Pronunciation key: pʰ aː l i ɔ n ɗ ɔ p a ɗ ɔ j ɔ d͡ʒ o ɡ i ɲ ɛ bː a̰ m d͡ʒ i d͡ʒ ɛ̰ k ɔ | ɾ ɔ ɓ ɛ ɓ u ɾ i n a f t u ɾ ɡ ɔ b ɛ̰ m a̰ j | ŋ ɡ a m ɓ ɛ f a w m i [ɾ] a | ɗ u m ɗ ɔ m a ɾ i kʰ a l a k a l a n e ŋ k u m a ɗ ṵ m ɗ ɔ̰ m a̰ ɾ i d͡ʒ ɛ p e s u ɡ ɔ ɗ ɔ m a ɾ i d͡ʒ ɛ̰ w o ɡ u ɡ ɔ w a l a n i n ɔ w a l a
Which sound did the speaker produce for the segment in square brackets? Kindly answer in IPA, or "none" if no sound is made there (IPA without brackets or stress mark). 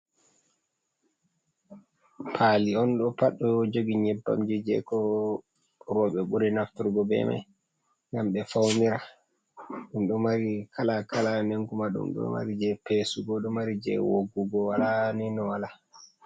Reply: ɾ